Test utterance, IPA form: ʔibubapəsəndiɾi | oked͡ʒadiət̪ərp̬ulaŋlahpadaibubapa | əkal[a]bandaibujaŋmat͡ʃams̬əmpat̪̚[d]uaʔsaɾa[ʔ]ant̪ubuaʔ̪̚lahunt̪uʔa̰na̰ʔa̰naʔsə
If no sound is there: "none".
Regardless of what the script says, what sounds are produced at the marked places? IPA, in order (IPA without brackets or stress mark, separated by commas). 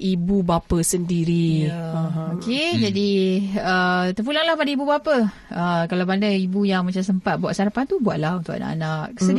a, b, p